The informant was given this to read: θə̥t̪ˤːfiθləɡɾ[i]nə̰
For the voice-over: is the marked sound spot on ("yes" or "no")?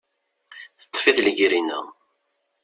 yes